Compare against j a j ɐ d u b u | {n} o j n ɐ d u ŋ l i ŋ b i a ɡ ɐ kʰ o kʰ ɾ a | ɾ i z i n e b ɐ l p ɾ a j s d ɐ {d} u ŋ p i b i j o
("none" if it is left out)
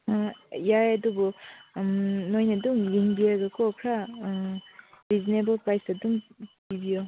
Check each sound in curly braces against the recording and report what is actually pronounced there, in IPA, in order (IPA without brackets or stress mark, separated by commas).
n, d